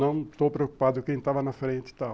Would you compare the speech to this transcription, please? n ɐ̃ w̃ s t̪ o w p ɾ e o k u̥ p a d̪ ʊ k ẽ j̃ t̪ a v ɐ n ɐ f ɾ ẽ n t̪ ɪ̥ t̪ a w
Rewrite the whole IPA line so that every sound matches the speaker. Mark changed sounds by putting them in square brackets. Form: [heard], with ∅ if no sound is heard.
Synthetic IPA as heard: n ɐ̃ w̃ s t̪ o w p ɾ e o k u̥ p a d̪ ʊ k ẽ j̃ t̪ a v ɐ n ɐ f ɾ ẽ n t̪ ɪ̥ t̪ a w